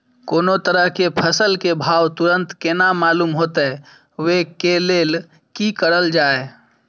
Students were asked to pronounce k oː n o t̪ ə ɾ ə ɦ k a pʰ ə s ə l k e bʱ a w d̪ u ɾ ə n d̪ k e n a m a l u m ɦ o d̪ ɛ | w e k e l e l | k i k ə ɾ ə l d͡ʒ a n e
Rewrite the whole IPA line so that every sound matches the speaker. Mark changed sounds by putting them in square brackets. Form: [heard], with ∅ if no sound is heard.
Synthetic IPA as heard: k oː n o t̪ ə ɾ ə ɦ k [e] pʰ ə s ə l k e bʱ a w [t̪] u ɾ ə n [t̪] k e n a m a l u m ɦ o [t̪] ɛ | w e k e l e l | k i k ə ɾ ə l d͡ʒ a [∅] e